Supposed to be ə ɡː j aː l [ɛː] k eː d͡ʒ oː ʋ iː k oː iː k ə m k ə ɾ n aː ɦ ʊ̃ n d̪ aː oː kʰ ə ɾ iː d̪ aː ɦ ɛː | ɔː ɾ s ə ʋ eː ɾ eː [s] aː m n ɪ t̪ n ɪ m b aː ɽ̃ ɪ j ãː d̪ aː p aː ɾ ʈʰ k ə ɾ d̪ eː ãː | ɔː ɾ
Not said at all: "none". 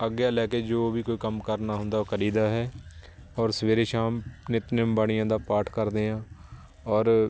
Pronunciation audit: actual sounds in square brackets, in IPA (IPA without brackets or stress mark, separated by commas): ɛː, ʃ